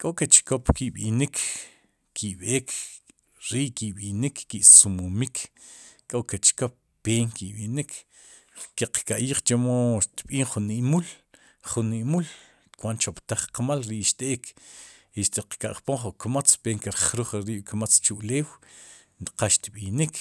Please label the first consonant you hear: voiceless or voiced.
voiceless